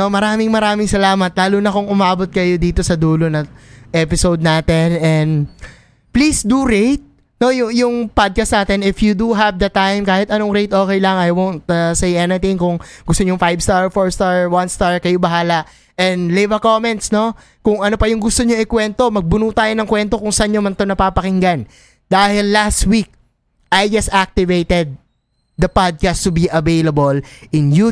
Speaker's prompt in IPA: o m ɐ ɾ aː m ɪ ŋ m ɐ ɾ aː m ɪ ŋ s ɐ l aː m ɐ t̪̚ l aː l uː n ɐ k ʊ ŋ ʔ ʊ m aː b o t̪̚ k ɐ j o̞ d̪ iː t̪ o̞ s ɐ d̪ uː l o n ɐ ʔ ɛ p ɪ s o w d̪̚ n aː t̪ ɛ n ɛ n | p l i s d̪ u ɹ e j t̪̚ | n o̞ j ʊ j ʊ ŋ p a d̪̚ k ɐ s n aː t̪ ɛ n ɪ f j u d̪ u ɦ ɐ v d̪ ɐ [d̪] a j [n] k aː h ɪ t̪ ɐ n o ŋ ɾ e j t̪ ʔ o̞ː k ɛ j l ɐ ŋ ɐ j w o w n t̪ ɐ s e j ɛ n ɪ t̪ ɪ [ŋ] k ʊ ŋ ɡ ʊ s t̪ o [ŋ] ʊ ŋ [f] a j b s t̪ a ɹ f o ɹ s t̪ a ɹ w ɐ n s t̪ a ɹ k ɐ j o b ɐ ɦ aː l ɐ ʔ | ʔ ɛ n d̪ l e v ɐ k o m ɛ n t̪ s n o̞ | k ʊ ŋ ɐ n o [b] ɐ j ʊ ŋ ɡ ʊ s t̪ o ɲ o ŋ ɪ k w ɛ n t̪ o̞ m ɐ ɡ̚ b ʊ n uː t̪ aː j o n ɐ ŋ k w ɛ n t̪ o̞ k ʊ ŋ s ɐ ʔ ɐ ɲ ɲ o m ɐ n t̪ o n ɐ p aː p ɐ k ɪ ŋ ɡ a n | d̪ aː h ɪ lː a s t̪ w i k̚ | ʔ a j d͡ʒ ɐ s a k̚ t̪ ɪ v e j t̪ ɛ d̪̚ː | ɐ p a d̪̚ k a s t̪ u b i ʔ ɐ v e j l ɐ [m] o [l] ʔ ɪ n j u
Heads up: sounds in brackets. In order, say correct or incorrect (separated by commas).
incorrect, incorrect, correct, incorrect, correct, incorrect, incorrect, correct